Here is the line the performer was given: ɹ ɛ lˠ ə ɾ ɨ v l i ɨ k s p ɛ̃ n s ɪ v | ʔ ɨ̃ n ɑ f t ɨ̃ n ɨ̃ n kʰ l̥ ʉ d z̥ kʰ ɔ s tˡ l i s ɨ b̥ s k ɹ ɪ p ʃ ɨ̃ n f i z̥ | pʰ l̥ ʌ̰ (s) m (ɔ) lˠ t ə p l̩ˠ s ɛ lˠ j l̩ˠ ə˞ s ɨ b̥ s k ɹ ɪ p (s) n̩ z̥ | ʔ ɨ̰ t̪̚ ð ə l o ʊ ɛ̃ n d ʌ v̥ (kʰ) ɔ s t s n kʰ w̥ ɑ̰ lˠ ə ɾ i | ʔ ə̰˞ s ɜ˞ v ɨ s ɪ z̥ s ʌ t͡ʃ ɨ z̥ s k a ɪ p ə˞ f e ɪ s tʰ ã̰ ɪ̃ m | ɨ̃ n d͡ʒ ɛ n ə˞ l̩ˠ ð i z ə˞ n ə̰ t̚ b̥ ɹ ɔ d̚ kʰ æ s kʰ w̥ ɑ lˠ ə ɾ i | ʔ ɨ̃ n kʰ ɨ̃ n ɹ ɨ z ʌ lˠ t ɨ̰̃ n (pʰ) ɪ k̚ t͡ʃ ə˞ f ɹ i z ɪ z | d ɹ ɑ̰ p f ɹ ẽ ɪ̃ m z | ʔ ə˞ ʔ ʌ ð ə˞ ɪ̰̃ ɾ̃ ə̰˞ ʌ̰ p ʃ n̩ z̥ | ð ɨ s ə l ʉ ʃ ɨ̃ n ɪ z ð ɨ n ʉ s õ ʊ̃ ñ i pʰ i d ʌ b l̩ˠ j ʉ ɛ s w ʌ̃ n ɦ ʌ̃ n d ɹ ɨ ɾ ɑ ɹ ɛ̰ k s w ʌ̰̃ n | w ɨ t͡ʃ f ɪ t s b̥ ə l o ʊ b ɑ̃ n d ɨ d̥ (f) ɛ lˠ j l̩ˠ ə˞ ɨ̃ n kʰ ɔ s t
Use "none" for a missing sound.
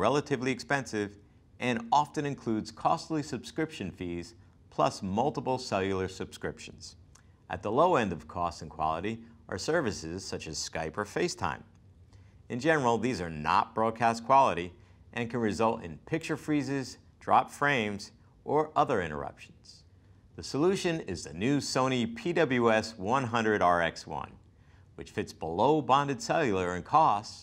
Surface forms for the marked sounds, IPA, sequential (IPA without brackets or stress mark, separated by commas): s, ʌ, ʃ, kʰ, pʰ, s